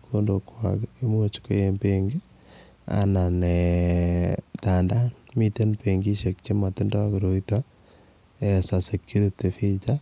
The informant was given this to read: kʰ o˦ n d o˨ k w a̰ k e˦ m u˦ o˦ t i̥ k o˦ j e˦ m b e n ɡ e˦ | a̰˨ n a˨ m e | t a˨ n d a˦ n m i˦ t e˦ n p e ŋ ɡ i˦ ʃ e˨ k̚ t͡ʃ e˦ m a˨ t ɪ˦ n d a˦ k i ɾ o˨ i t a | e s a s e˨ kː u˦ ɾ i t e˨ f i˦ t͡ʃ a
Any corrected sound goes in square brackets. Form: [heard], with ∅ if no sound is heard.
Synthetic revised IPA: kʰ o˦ n d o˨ k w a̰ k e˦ m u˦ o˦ [t͡ʃ] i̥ k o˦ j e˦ m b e [ŋ] ɡ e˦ | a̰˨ n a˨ [n] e | t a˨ n d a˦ n m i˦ t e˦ n p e ŋ ɡ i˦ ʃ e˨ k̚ t͡ʃ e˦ m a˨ t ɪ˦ n d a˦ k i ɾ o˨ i t a | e s a s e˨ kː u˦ ɾ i t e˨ f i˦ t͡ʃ a